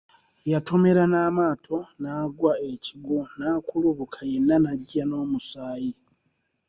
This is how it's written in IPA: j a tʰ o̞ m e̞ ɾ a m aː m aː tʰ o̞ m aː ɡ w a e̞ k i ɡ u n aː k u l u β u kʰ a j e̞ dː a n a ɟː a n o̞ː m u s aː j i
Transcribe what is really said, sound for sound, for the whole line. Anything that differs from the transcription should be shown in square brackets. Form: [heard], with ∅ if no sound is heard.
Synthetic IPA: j a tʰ o̞ m e̞ ɾ a [n] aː m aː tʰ o̞ [n] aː ɡ w a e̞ [c] i ɡ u n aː k u l u β u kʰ a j e̞ [nː] a n a ɟː a n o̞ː m u s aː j i